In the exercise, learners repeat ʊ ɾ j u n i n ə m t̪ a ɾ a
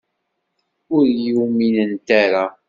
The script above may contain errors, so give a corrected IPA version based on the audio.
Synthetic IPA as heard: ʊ ɾ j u m i n ə n t̪ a ɾ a